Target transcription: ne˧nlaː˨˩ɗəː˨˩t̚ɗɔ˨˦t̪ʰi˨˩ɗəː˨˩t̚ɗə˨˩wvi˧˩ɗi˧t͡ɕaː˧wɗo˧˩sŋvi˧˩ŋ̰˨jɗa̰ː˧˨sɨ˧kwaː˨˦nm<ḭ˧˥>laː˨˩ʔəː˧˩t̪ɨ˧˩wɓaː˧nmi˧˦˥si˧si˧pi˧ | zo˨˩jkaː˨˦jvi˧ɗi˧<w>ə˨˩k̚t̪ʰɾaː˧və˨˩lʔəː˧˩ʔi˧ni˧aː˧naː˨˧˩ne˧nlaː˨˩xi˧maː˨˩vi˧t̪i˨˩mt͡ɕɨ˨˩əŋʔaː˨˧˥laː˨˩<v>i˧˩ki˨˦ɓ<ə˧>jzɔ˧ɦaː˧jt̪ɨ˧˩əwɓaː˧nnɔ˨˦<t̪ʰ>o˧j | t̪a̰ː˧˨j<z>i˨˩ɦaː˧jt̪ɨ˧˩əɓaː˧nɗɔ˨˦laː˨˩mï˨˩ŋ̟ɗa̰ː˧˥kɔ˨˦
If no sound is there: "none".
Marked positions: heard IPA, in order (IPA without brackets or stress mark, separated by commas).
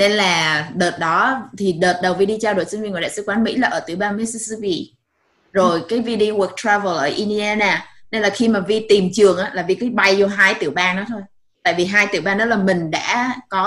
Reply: ḭ˧˥, w, v, a˧, t̪ʰ, v